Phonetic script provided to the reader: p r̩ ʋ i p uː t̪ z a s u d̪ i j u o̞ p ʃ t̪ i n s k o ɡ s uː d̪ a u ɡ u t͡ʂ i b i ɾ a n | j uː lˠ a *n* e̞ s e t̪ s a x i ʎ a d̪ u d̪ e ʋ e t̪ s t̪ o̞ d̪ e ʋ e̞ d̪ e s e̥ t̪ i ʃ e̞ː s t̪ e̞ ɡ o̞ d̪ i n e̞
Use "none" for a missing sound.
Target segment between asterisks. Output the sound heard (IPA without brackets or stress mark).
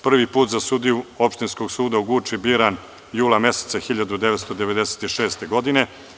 m